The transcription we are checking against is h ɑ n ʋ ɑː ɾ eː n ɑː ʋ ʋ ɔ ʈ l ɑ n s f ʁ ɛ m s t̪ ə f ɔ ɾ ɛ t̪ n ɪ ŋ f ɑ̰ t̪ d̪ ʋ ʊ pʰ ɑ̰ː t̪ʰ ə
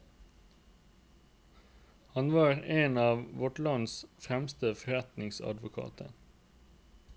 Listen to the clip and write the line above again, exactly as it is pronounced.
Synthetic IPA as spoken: h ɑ n ʋ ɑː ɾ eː n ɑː ʋ ʋ ɔ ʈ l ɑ n s f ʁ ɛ m s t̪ ə f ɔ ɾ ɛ t̪ n ɪ ŋ s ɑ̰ d̪ ʋ ʊ kʰ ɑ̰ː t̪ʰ ə